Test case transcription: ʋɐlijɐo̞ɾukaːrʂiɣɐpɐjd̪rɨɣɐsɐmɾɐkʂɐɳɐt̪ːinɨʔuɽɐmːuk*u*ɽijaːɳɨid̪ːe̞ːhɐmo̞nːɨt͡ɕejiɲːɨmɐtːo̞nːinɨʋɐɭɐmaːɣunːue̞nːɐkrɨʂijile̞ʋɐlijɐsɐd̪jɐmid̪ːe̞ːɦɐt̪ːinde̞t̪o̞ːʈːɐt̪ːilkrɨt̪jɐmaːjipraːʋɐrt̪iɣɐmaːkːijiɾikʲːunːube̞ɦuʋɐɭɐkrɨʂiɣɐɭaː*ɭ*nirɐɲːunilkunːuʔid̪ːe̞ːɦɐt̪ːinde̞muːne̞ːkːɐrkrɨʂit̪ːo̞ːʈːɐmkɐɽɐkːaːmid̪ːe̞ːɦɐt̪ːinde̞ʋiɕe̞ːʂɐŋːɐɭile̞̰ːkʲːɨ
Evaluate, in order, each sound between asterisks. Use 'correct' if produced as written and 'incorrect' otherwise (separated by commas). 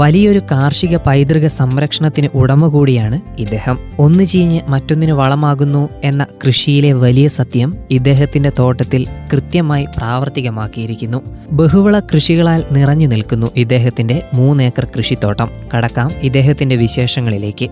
incorrect, incorrect